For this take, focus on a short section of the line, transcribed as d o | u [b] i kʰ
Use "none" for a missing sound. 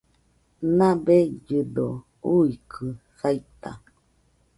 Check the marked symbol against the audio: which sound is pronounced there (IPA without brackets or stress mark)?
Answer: none